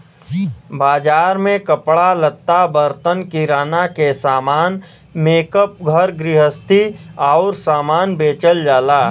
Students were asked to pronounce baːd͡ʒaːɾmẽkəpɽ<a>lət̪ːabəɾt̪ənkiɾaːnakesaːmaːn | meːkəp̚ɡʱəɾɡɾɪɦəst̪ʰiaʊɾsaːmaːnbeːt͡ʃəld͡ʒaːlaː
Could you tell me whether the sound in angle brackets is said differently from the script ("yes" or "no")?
no